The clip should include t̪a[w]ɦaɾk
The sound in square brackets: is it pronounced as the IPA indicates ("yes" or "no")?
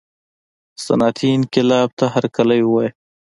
no